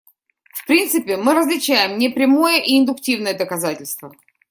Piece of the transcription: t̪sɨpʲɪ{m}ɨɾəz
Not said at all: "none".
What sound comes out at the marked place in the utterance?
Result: m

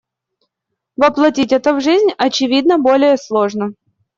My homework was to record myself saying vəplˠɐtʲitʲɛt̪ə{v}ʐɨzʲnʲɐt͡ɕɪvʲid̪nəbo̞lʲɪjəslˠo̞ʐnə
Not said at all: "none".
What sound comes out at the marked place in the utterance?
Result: v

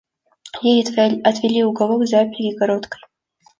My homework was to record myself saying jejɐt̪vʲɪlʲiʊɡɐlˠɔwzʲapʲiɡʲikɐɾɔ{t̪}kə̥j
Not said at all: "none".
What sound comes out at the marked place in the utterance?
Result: t̪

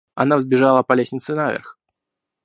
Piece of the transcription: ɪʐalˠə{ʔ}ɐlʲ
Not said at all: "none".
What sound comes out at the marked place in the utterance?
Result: p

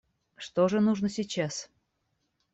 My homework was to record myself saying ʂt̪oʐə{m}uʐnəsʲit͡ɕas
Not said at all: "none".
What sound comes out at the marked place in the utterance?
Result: n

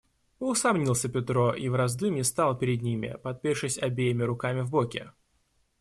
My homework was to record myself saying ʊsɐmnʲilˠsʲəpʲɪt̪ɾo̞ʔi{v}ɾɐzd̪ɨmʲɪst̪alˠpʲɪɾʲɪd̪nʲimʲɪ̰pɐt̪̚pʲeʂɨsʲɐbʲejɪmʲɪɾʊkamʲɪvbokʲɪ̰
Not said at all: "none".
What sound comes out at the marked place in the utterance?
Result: v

